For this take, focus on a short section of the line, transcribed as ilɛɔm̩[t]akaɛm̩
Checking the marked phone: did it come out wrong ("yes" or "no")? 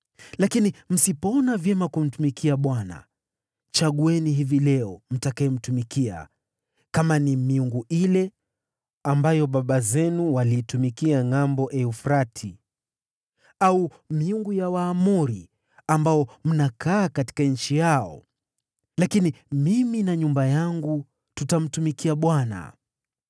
no